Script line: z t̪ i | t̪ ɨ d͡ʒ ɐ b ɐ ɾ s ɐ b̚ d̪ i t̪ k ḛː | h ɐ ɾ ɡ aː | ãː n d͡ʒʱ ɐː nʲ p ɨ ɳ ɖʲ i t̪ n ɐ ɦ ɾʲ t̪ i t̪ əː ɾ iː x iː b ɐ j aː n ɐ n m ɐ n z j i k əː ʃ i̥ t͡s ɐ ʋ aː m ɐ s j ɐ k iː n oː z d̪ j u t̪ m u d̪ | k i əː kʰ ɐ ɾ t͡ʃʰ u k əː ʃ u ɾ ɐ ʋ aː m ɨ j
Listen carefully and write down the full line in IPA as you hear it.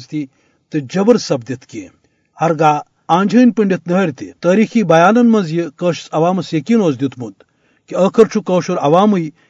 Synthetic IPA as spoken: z t̪ i | t̪ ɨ d͡ʒ ɐ b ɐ ɾ s ɐ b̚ d̪ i t̪ k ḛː | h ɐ ɾ ɡ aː | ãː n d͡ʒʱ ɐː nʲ p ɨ ɳ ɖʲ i t̪ n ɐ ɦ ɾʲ t̪ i t̪ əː ɾ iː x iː b ɐ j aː n ɐ n m ɐ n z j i k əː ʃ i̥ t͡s ɐ ʋ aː m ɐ s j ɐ k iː n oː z d̪ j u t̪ m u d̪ | k i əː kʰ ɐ ɾ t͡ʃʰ u k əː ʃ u ɾ ɐ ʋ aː m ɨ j